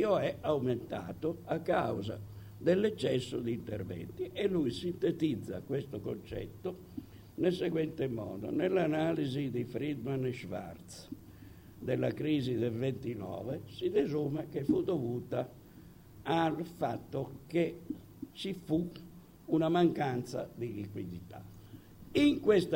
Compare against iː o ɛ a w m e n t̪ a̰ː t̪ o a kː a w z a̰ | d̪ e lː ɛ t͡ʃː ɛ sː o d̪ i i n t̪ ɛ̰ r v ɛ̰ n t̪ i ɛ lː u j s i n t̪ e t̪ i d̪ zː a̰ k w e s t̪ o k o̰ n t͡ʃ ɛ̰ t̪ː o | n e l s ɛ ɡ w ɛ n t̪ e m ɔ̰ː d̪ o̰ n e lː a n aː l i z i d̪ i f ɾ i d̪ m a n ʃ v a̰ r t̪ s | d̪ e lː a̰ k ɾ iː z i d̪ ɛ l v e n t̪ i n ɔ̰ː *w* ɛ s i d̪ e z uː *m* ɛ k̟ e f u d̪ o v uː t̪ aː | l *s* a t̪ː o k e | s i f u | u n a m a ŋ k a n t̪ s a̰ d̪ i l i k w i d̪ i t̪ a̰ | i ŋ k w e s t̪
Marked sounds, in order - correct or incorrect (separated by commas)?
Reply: incorrect, correct, incorrect